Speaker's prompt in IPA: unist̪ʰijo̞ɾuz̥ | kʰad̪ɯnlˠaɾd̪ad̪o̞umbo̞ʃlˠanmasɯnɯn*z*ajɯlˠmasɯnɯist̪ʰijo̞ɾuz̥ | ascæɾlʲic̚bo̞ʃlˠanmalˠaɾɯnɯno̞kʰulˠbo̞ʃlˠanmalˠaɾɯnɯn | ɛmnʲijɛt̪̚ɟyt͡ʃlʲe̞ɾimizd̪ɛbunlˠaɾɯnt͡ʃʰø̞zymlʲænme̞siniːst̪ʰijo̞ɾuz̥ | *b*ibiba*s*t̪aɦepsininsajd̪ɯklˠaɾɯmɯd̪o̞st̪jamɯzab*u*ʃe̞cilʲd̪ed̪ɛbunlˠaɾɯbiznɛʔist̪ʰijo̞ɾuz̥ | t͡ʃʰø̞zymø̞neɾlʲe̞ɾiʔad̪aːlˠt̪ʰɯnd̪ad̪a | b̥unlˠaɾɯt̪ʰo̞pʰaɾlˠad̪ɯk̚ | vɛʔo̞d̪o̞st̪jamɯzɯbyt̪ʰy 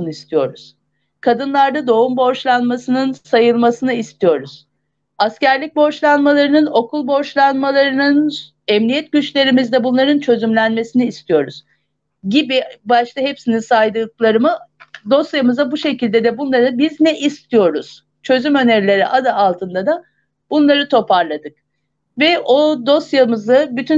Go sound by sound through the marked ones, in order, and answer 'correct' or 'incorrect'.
incorrect: s, incorrect: ɟ, incorrect: ʃ, correct

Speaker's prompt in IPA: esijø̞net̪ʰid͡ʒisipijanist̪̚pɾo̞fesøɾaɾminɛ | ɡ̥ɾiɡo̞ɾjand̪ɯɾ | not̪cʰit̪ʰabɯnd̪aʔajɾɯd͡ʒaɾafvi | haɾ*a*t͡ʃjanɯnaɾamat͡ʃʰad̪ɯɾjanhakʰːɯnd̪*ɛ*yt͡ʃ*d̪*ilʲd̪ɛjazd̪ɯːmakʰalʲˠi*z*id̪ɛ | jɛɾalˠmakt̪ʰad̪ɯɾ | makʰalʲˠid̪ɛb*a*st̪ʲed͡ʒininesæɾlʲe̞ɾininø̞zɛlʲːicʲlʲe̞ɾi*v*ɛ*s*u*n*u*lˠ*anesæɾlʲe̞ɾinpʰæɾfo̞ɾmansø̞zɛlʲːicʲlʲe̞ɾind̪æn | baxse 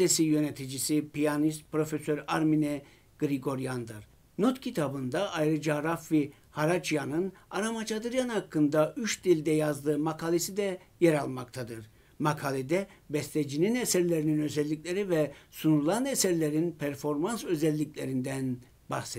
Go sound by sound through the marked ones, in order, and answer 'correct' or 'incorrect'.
correct, incorrect: a, correct, incorrect: s, incorrect: ɛ, correct, correct, correct, correct

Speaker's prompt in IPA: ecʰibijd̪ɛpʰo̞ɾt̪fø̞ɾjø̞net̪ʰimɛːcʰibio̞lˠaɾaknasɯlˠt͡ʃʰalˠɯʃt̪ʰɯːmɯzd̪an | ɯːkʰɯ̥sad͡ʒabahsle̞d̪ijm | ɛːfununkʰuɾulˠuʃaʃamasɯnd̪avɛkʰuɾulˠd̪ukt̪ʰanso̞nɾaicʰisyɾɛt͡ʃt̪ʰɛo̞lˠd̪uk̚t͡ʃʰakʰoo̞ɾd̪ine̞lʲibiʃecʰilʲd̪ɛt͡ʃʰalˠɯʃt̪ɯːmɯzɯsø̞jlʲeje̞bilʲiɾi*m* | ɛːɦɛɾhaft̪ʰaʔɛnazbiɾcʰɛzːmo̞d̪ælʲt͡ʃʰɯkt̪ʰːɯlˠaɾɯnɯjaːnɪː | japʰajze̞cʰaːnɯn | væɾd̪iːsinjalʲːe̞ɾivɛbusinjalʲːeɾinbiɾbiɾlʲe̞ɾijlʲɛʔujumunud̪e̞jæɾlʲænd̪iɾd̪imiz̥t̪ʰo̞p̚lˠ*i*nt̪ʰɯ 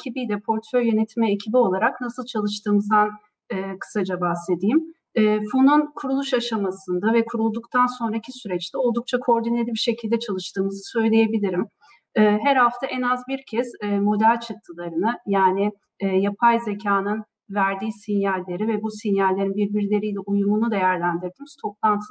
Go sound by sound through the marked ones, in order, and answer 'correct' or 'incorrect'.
correct, incorrect: a

